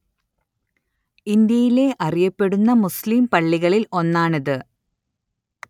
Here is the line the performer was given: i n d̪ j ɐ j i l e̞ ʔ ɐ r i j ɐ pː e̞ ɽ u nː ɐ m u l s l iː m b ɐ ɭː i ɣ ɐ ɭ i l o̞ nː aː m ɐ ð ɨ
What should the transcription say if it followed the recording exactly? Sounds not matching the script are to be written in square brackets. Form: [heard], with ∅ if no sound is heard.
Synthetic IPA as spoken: i n d̪ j ɐ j i l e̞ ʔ ɐ r i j ɐ pː e̞ ɽ u nː ɐ m u [∅] s l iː m [p] ɐ ɭː i ɣ ɐ ɭ i l o̞ nː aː [ɳ] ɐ ð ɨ